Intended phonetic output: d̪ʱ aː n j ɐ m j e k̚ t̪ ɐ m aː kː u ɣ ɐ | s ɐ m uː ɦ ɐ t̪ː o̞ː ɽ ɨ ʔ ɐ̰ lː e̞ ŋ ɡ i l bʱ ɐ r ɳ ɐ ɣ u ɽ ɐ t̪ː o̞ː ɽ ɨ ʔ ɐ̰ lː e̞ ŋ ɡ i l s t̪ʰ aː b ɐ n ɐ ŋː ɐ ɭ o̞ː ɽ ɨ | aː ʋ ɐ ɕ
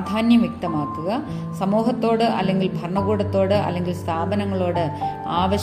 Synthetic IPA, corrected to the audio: d̪ʱ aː n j ɐ m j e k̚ t̪ ɐ m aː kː u ɣ ɐ | s ɐ m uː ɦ ɐ t̪ː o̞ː ɽ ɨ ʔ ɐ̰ lː e̞ ŋ ɡ i l bʱ ɐ r ɳ ɐ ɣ uː ɽ ɐ t̪ː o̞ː ɽ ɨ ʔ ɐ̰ lː e̞ ŋ ɡ i l s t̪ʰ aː b ɐ n ɐ ŋː ɐ ɭ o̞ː ɽ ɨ | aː ʋ ɐ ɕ